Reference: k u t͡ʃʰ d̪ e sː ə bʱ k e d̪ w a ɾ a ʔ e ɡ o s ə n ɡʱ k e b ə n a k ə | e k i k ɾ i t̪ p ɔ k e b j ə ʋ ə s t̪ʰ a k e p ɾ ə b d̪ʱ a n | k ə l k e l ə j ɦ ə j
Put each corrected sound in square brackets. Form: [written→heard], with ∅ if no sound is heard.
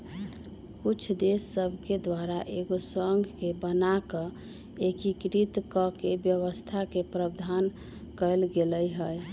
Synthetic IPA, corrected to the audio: k u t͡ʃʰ d̪ e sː ə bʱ k e d̪ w a ɾ a ʔ e ɡ o s ə [n→ŋ] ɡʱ k e b ə n a k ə | e k i k ɾ i t̪ [p→k] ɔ k e b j ə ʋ ə s t̪ʰ a k e p ɾ ə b d̪ʱ a n | k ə l [k→ɡ] e l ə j ɦ ə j